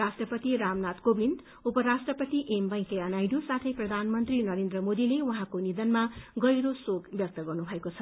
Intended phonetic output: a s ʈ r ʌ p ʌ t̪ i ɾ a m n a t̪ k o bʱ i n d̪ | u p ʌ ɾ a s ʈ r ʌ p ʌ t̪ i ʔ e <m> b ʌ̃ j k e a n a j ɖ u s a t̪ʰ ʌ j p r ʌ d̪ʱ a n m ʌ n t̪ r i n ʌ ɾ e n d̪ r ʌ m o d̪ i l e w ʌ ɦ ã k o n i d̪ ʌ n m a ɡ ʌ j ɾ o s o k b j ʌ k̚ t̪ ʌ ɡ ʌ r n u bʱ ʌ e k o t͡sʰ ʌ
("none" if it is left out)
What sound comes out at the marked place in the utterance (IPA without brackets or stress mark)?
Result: m